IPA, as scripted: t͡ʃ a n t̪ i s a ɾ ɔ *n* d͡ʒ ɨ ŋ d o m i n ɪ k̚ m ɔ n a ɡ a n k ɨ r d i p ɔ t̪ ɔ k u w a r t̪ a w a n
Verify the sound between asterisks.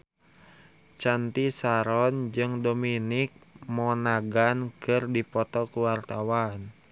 correct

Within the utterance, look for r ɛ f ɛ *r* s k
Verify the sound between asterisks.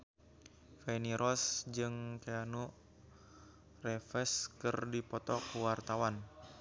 incorrect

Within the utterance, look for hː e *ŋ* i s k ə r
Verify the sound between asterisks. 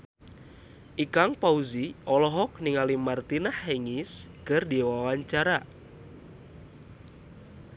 correct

